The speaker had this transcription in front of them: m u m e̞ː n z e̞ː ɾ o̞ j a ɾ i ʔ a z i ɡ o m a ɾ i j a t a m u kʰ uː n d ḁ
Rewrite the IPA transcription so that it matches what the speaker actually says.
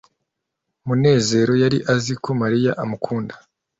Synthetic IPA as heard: m u n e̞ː z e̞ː ɾ o̞ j a ɾ i ʔ a z i k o m a ɾ i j a ʔ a m u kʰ uː n d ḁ